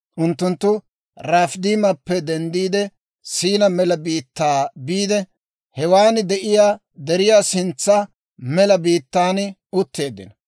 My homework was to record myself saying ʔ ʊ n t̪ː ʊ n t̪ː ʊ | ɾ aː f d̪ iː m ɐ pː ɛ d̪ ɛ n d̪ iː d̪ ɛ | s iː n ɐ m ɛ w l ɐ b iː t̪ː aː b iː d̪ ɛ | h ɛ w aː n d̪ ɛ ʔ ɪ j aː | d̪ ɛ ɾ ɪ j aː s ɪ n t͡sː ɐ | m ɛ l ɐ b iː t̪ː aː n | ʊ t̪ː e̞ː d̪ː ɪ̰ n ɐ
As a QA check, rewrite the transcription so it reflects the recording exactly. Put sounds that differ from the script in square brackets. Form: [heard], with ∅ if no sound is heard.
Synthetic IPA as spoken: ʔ ʊ n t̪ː ʊ n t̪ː ʊ | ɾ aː f d̪ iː m ɐ pː ɛ d̪ ɛ n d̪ iː d̪ ɛ | s iː n ɐ m ɛ [∅] l ɐ b iː t̪ː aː b iː d̪ ɛ | h ɛ w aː n d̪ ɛ ʔ ɪ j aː | d̪ ɛ ɾ ɪ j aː s ɪ n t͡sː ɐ | m ɛ l ɐ b iː t̪ː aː n | ʊ t̪ː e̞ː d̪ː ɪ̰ n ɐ